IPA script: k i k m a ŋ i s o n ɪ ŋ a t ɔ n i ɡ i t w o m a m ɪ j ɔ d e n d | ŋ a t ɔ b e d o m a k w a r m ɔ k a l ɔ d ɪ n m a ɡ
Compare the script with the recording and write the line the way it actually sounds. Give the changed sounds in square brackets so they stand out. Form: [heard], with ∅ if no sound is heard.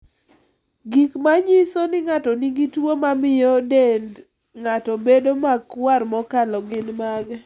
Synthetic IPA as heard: [ɡ] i k m a [ɲ] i s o n ɪ ŋ a t ɔ n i ɡ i t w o m a m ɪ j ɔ d e n d | ŋ a t ɔ b e d o m a k w a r m ɔ k a l ɔ [ɡ] ɪ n m a ɡ